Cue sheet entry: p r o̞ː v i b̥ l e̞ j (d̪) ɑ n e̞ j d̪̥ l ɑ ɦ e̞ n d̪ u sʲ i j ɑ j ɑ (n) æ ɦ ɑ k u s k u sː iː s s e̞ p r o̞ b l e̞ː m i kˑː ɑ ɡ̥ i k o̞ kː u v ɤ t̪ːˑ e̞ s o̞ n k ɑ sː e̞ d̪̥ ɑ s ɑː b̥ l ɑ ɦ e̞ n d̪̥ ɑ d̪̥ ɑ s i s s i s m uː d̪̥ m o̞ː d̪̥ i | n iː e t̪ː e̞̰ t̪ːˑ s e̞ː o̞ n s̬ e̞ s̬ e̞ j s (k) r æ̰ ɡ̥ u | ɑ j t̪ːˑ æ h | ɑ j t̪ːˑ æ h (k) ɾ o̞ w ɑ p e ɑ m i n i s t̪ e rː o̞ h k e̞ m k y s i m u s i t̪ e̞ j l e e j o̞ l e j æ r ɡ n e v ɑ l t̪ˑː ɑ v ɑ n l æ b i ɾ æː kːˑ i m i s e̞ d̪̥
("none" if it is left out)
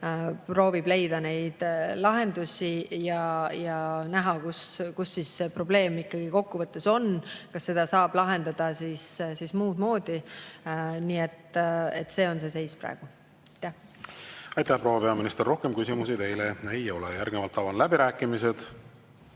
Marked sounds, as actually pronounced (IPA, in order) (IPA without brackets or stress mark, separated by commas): d̪, n, p, p